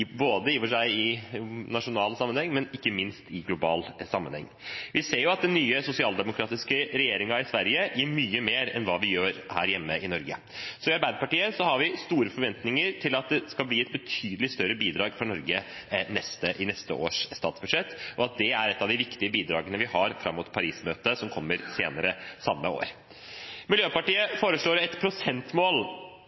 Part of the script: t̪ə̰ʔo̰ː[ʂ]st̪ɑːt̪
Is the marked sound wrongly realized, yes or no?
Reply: no